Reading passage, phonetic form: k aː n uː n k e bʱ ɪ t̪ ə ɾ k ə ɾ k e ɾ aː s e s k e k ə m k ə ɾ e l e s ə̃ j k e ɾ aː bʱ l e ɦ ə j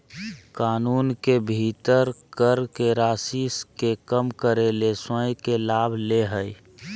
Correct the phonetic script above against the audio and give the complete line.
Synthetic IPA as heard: k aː n uː n k e bʱ i t̪ ə ɾ k ə ɾ k e ɾ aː s i s k e k ə m k ə ɾ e l e s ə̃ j k e l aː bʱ l e ɦ ə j

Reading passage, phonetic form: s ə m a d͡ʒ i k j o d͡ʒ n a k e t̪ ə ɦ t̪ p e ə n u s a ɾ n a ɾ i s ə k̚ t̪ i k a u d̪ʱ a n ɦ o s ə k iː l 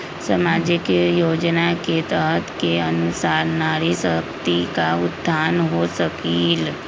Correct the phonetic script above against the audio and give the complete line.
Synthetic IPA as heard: s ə m a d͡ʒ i k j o d͡ʒ n a k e t̪ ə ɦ t̪ k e ə n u s a ɾ n a ɾ i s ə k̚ t̪ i k a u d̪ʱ a n ɦ o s ə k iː l

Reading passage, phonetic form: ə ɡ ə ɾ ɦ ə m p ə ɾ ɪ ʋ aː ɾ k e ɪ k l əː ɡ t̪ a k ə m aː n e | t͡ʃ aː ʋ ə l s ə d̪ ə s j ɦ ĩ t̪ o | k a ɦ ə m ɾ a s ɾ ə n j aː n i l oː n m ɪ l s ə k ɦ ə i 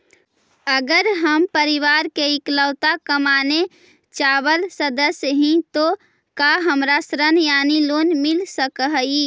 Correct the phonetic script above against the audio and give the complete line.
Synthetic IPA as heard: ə ɡ ə ɾ ɦ ə m p ə ɾ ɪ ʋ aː ɾ k e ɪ k l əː t̪ a k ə m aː n e | t͡ʃ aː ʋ ə l s ə d̪ ə s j ɦ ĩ t̪ o | k a ɦ ə m ɾ a s ɾ ə n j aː n i l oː n m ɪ l s ə k ɦ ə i

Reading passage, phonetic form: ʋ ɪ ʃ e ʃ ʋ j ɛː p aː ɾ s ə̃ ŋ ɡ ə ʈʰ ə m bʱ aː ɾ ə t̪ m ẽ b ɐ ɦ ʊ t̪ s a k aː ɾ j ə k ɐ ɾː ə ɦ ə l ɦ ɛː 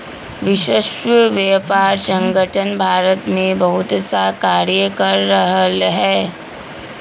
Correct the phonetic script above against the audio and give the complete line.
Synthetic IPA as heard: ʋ ɪ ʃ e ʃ ʋ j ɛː p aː ɾ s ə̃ ŋ ɡ ə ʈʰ ə n bʱ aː ɾ ə t̪ m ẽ b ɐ ɦ ʊ t̪ s a k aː ɾ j ə k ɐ ɾː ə ɦ ə l ɦ ɛː

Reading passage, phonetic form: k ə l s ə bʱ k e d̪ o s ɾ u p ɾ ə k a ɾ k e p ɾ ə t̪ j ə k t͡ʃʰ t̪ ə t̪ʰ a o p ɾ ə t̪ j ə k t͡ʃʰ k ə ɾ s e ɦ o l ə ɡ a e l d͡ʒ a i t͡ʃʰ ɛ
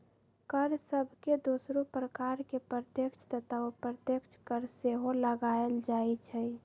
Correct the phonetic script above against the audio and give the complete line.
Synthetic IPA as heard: k ə ɾ s ə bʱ k e d̪ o s ɾ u p ɾ ə k a ɾ k e p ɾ ə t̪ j ə k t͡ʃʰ t̪ ə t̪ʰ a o p ɾ ə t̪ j ə k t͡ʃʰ k ə ɾ s e ɦ o l ə ɡ a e l d͡ʒ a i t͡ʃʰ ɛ

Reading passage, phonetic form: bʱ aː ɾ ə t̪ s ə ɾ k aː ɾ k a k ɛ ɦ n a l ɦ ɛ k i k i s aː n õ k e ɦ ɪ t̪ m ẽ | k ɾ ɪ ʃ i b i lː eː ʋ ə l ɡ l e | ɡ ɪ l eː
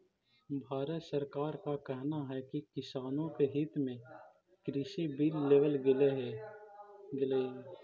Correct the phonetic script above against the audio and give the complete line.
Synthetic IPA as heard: bʱ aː ɾ ə t̪ s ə ɾ k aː ɾ k a k ɛ ɦ n a ɦ ɛ k i k ɪ s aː n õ k e ɦ ɪ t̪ m ẽ | k ɾ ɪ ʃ i b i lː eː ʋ ə l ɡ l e | ɡ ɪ l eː

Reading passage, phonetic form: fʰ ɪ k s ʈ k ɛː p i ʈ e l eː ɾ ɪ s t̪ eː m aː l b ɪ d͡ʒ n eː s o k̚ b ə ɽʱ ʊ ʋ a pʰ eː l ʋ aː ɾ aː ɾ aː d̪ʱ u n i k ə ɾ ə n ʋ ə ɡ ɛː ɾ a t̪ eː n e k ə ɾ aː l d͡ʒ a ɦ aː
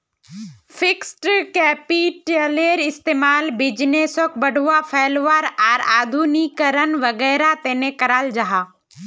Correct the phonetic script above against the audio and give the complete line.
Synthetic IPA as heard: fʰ ɪ k s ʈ k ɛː p i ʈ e l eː ɾ ɪ s t̪ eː m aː l b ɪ d͡ʒ n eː s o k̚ b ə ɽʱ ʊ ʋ a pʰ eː l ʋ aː ɾ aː ɾ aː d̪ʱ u n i k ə ɾ ə n ʋ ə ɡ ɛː ɾ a t̪ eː n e k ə ɾ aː l d͡ʒ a ɦ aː

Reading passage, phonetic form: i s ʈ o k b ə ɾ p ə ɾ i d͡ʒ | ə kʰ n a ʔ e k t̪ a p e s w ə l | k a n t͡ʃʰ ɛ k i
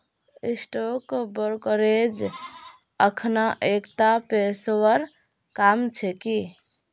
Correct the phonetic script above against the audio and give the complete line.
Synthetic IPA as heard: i s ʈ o k b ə ɾ k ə ɾ e d͡ʒ | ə kʰ n a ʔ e k t̪ a p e s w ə ɾ | k a m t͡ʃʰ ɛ k i

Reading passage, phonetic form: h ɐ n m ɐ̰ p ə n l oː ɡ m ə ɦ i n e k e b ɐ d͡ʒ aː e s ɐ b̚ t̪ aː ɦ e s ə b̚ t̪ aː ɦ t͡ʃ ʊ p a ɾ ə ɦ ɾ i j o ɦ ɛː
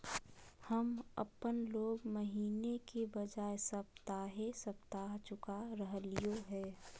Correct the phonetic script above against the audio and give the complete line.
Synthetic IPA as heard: h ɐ m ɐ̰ p ə n l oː ɡ m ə ɦ iː n e k e b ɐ d͡ʒ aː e s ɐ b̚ t̪ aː ɦ e s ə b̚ t̪ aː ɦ t͡ʃ ʊ k a ɾ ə ɦ l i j o ɦ ɛː

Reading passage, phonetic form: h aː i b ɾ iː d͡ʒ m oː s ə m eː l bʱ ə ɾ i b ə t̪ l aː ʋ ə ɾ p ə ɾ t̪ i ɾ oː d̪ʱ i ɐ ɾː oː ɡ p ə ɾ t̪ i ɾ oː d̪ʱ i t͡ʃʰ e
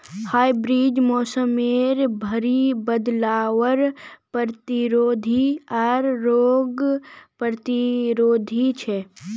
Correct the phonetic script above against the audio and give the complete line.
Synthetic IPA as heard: h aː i b ɾ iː d͡ʒ m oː s ə m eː ɾ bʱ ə ɾ i b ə d̪ l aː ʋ ə ɾ p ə ɾ t̪ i ɾ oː d̪ʱ i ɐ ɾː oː ɡ p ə ɾ t̪ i ɾ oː d̪ʱ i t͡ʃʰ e

